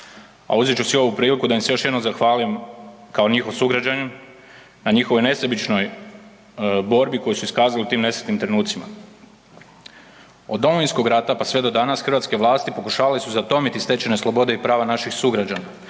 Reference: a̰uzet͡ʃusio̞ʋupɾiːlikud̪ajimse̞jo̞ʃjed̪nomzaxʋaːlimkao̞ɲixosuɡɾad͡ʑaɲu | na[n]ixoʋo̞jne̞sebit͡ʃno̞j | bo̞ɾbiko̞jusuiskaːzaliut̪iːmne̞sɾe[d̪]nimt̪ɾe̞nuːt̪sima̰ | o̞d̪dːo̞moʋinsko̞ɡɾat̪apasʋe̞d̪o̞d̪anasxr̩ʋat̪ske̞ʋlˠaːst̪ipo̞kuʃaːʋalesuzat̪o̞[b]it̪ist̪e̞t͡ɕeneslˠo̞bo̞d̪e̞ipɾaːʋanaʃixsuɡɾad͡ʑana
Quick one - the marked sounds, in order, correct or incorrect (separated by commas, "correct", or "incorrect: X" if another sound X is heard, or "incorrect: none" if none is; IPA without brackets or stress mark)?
incorrect: ɲ, incorrect: t̪, incorrect: m